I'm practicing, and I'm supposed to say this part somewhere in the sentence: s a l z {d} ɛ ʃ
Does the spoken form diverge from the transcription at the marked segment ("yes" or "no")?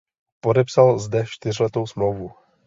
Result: no